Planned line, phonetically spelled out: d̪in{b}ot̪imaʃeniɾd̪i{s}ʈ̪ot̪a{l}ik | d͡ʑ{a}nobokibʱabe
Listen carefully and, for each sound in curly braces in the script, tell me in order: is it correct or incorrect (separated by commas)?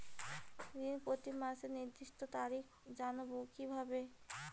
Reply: incorrect, incorrect, incorrect, correct